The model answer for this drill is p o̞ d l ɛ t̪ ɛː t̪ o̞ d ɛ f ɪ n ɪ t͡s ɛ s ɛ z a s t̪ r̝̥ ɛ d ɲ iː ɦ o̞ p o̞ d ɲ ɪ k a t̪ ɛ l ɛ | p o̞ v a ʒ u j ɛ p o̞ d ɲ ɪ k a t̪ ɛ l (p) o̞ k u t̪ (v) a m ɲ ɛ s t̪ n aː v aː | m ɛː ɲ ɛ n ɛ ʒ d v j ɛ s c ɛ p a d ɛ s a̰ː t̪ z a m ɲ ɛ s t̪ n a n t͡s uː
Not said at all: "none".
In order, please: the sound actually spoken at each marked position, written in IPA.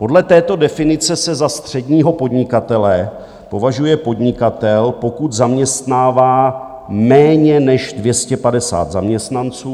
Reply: p, z

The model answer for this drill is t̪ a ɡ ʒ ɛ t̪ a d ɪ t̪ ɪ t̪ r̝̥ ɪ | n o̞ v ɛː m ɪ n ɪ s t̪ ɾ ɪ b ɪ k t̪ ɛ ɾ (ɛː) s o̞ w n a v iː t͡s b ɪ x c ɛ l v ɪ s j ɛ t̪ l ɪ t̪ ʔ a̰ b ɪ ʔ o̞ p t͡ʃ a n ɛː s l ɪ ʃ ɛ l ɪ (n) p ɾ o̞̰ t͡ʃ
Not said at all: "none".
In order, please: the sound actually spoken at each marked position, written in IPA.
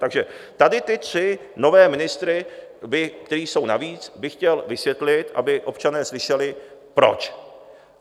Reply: iː, none

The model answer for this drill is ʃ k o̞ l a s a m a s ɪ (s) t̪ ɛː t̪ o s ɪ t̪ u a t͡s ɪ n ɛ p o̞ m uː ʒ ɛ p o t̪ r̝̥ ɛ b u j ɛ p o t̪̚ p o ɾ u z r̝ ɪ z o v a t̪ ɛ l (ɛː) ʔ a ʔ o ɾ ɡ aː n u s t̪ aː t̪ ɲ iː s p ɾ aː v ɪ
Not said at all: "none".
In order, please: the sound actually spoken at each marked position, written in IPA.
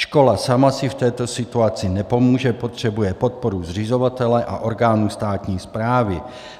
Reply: f, ɛ

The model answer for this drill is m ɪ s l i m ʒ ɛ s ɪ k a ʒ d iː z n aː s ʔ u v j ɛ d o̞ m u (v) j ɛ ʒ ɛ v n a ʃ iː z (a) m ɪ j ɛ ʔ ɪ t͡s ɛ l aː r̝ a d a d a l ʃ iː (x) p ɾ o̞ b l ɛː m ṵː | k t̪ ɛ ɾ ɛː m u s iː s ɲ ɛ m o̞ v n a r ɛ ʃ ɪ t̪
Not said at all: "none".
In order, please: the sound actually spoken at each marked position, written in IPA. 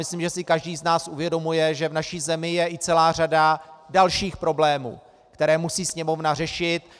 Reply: none, ɛ, x

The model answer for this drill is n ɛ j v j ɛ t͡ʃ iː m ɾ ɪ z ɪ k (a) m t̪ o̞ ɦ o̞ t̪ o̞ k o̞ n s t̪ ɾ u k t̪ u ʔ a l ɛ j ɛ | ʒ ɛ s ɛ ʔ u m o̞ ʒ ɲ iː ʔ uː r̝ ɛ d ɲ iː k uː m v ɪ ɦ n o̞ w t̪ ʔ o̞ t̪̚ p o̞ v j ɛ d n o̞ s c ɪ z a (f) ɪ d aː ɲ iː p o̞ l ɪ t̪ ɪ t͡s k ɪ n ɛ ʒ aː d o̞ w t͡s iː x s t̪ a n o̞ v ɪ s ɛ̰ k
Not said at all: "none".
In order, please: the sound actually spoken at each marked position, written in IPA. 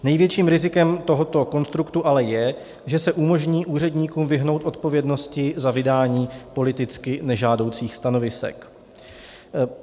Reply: ɛ, v

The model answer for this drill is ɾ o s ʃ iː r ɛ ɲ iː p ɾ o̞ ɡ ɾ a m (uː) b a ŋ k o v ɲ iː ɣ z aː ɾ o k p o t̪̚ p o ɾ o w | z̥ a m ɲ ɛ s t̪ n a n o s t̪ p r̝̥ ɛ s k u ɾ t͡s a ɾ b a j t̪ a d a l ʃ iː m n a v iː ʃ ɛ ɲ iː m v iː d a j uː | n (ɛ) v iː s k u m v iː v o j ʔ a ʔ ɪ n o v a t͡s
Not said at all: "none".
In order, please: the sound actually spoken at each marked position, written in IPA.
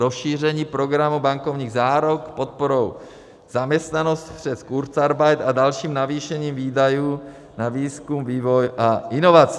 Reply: u, a

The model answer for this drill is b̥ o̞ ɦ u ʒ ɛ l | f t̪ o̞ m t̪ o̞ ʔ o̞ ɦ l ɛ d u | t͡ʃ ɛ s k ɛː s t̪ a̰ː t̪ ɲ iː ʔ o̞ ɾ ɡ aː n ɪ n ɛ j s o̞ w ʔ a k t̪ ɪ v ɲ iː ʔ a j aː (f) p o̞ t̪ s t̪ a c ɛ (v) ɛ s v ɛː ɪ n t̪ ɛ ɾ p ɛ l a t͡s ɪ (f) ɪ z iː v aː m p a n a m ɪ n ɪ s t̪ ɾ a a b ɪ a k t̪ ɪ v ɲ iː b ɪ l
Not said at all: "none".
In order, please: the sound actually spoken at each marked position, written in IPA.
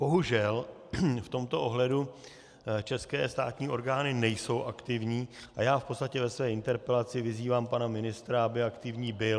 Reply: f, v, v

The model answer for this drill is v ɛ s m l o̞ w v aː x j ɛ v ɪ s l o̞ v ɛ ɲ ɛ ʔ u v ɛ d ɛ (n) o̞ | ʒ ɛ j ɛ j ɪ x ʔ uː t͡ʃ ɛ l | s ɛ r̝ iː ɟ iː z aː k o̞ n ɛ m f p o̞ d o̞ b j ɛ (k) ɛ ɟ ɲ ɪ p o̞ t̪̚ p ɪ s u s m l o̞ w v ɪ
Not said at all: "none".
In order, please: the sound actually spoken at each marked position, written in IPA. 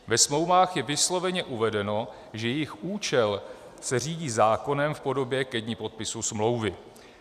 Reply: n, k

